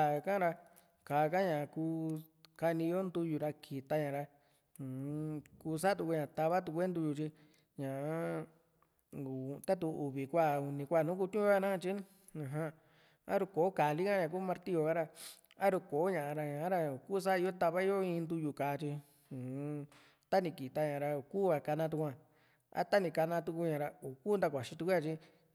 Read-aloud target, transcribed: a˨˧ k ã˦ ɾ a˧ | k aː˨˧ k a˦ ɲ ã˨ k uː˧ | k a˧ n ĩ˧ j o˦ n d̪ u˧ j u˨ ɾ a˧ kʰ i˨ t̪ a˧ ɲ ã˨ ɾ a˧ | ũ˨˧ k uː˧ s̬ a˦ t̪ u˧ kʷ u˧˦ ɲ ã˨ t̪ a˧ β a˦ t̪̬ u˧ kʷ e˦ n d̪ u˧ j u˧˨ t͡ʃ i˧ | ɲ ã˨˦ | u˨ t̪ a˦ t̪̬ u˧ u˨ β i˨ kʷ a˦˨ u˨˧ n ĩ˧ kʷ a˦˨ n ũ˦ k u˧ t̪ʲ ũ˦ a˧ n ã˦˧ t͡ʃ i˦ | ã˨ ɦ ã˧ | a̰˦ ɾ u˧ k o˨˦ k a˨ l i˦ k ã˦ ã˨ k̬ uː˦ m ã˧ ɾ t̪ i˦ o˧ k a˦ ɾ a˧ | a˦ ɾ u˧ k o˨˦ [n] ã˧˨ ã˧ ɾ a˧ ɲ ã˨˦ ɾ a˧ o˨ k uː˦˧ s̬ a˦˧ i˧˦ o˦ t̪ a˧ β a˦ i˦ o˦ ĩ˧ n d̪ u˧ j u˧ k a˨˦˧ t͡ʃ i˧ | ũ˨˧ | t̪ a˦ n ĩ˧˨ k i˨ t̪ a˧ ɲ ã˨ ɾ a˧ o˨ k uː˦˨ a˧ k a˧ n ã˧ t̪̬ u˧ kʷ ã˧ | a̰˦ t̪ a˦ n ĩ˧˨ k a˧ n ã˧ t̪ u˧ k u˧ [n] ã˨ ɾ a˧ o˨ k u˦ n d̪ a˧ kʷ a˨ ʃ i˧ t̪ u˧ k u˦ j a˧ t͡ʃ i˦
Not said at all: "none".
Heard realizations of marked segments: ɲ, ɲ

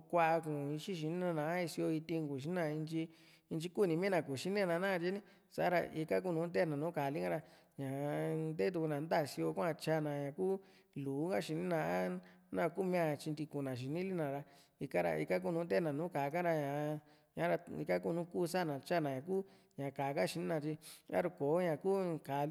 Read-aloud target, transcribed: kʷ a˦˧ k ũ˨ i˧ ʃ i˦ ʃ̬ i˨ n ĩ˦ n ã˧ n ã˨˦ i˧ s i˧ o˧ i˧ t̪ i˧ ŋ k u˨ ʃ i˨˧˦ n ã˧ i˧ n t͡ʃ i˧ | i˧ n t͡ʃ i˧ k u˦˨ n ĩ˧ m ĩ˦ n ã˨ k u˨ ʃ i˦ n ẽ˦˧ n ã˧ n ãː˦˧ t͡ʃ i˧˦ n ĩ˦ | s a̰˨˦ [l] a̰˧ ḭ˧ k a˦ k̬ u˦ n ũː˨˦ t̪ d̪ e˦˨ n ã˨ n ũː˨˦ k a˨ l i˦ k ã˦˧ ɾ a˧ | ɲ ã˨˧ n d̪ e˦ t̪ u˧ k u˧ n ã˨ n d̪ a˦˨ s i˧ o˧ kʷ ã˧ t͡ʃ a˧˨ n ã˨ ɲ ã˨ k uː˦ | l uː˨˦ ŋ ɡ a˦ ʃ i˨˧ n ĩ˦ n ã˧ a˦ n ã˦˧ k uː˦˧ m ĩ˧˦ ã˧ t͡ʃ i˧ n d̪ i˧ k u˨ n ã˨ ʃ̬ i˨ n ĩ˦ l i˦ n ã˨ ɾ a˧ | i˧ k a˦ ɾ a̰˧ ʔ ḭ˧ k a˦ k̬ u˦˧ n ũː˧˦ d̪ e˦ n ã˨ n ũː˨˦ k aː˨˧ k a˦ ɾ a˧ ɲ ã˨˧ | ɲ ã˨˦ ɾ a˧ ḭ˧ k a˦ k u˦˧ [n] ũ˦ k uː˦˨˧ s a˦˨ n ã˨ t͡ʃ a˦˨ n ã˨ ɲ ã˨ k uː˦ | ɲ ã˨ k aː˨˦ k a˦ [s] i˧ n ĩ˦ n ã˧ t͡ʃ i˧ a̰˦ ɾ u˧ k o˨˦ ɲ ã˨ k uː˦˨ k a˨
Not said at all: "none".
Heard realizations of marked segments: ɾ, n, ʃ

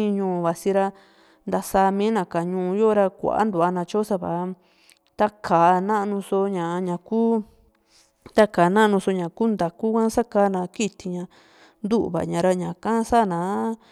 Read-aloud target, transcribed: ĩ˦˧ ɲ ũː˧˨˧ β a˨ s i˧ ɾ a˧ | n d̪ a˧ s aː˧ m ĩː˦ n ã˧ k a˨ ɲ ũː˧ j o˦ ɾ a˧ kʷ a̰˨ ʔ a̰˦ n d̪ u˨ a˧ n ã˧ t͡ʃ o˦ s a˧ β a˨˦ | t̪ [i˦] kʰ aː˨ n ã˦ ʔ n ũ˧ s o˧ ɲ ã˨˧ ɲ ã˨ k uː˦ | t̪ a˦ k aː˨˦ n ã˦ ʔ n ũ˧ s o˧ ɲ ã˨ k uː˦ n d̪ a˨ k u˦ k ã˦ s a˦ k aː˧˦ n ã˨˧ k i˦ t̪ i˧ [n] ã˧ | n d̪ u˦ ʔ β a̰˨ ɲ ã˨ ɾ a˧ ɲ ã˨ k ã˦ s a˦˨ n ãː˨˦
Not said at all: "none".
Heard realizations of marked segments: a˦, ɲ

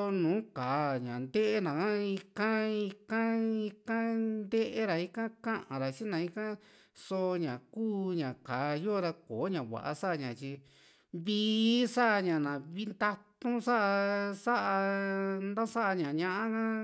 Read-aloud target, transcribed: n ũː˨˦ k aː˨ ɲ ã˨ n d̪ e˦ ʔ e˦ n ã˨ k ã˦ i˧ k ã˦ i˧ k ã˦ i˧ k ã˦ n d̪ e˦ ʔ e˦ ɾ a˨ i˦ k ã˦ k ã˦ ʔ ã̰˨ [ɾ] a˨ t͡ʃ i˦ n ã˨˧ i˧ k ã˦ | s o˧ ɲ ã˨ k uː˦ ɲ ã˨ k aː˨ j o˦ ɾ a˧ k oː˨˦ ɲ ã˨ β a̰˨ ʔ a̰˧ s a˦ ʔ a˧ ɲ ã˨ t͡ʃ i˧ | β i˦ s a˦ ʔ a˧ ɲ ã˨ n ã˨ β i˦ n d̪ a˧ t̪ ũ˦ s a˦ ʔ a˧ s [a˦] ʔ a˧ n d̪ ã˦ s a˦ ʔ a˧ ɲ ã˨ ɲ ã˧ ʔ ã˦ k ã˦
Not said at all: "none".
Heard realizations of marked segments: ɾ, a˦

